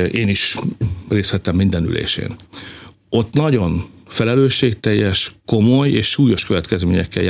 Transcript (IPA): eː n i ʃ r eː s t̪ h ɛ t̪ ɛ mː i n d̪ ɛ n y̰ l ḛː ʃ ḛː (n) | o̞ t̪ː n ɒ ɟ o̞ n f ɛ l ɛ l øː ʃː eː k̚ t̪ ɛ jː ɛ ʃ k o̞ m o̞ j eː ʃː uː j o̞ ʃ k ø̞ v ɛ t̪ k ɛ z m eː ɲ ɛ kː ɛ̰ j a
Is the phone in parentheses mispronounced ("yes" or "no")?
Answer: no